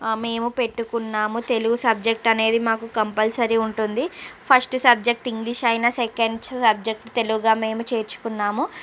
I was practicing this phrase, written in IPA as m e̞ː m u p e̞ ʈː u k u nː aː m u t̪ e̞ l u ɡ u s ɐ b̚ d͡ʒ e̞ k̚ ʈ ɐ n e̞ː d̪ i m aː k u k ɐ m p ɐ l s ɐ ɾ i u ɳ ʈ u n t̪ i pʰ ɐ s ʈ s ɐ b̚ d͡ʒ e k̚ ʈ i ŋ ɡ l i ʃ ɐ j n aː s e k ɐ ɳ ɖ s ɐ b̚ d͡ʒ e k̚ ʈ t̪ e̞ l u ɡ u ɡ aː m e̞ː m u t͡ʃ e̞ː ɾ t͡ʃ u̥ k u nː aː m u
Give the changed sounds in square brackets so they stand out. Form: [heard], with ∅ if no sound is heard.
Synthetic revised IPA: m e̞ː m u p e̞ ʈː u k u nː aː m u t̪ e̞ l u ɡ u s ɐ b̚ d͡ʒ e̞ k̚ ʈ ɐ n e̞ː d̪ i m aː k u k ɐ m p ɐ l s ɐ ɾ i u ɳ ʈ u n [d̪] i pʰ ɐ s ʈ s ɐ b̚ d͡ʒ e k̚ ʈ i ŋ ɡ l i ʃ ɐ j n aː s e k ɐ ɳ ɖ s ɐ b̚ d͡ʒ e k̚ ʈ t̪ e̞ l u ɡ u ɡ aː m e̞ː m u t͡ʃ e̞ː ɾ t͡ʃ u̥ k u nː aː m u